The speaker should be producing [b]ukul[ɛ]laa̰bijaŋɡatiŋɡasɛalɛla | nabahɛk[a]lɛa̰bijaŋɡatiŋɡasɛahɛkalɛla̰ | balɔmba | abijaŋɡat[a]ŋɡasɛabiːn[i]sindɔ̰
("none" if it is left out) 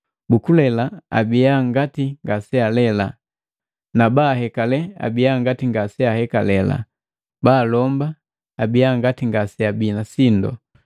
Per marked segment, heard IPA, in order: b, ɛ, a, i, a

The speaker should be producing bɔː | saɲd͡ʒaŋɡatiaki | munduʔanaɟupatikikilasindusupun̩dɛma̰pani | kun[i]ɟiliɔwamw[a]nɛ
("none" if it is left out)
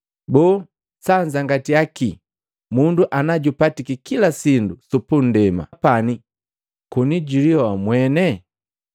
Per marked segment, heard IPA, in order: i, ɛ

